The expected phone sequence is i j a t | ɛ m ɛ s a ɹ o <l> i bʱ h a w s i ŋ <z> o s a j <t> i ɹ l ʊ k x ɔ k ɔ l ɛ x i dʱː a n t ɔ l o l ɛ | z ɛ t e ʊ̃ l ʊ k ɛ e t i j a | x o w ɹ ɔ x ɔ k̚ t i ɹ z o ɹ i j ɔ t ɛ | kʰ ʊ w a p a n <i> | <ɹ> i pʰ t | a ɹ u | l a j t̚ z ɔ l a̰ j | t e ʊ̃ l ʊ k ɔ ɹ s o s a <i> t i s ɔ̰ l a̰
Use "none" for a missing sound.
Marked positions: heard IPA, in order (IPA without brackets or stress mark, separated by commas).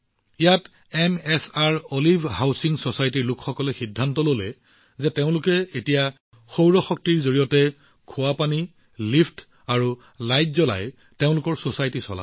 l, s, t, i, l, j